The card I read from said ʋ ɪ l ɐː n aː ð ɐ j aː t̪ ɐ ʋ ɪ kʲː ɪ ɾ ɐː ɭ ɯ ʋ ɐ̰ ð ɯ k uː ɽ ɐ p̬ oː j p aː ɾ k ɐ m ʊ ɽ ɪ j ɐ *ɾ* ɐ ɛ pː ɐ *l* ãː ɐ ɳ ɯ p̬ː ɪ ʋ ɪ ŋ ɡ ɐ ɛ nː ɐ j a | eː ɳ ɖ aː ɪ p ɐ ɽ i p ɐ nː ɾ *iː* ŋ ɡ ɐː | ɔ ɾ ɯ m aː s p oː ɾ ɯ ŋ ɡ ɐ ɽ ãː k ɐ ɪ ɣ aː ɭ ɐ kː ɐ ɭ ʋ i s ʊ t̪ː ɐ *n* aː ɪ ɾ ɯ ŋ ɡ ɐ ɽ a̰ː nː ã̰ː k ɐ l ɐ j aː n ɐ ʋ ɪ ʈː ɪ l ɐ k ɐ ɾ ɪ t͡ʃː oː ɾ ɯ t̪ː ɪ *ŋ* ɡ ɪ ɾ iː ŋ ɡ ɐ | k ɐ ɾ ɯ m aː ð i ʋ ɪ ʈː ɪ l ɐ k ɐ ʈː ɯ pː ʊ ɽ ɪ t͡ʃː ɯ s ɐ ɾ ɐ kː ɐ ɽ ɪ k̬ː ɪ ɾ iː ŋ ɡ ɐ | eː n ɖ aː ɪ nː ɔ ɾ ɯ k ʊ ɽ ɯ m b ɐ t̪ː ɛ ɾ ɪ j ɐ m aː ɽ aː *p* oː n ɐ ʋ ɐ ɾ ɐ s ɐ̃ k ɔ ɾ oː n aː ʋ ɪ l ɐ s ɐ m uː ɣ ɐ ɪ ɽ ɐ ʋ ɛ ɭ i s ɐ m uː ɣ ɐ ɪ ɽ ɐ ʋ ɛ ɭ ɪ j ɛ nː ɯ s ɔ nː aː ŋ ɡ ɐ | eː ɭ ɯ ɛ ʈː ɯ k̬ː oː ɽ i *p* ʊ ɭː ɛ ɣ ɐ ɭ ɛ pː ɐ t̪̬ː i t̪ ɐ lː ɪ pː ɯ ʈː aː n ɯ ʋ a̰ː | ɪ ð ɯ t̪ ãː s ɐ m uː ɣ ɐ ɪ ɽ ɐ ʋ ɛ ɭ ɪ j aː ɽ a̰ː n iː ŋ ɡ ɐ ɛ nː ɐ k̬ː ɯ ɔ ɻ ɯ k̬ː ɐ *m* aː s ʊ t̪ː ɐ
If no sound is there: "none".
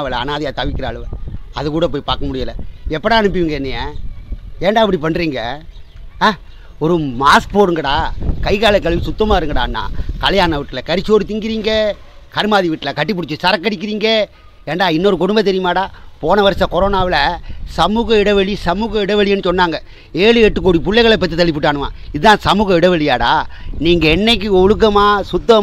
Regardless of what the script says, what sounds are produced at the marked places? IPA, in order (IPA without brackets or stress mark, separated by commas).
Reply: l, ɽ, iː, m, ŋ, p, p, m